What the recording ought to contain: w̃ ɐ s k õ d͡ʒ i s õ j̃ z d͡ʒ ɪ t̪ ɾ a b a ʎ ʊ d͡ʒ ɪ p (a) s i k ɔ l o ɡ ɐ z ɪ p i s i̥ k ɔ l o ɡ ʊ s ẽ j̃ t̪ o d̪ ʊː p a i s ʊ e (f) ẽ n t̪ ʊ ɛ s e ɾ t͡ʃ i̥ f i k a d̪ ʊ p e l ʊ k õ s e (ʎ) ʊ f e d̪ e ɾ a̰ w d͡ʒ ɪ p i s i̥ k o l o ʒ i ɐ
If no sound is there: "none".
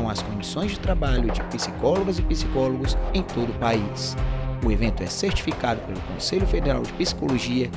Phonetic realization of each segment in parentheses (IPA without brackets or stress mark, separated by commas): i, v, ʎ